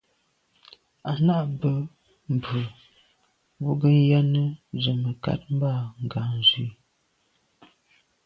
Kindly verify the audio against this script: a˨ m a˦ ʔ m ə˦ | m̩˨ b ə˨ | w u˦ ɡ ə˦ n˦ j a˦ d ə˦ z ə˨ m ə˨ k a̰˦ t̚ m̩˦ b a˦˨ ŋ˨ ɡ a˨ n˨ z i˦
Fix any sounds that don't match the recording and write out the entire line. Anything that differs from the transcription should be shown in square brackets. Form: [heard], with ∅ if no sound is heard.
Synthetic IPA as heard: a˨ [n] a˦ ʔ [b] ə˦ | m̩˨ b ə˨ | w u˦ ɡ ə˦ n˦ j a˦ [n] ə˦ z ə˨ m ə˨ k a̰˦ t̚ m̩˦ b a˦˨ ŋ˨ ɡ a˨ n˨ z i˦